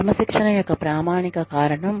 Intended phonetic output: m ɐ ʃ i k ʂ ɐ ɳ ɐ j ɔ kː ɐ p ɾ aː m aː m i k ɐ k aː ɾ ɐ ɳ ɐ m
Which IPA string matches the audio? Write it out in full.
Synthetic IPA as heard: m ɐ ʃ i k ʂ ɐ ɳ ɐ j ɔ kː ɐ p ɾ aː m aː ɳ i k ɐ k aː ɾ ɐ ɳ ɐ m